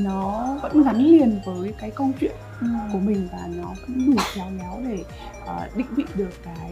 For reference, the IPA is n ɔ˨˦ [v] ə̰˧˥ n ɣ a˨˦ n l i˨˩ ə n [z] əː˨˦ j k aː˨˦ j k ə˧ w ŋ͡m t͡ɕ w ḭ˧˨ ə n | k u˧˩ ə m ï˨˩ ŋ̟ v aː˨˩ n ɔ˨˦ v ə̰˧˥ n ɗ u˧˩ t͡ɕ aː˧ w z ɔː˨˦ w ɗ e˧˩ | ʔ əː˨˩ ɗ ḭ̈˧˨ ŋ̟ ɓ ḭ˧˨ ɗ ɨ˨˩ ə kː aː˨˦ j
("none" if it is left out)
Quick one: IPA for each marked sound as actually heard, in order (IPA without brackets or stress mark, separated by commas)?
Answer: v, v